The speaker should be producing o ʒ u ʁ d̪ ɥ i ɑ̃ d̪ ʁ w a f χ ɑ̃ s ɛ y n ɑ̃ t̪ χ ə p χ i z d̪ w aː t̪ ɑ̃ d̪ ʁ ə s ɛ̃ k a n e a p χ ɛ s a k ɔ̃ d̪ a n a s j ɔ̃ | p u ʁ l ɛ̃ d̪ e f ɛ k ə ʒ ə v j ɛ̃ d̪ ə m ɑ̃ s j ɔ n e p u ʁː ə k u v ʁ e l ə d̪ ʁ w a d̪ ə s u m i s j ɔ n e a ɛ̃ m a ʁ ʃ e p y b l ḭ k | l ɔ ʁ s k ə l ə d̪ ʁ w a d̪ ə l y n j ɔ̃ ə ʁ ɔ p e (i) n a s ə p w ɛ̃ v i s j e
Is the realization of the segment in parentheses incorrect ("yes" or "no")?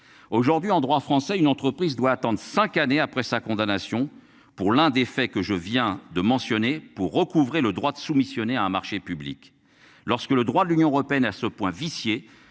yes